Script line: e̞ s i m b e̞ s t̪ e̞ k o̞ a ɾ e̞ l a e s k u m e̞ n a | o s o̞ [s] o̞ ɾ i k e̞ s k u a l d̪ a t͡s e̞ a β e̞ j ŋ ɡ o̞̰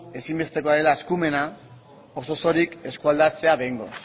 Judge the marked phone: correct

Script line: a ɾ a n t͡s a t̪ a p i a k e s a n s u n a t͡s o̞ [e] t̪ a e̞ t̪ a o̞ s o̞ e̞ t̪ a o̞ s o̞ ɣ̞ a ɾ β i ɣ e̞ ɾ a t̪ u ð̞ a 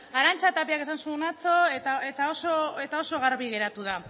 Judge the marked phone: correct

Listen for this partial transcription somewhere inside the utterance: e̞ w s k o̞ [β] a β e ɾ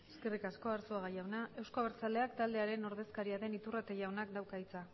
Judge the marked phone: incorrect: none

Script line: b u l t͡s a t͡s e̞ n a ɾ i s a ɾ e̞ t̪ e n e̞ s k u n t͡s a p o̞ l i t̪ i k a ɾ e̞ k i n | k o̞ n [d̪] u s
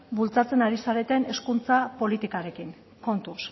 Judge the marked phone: incorrect: t̪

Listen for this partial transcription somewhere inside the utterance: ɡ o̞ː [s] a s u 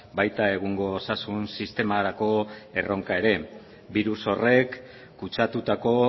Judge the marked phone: correct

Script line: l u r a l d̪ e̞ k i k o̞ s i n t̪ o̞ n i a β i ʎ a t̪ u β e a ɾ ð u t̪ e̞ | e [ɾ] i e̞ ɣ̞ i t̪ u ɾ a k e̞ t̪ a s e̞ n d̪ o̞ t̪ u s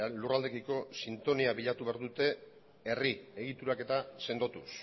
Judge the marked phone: incorrect: r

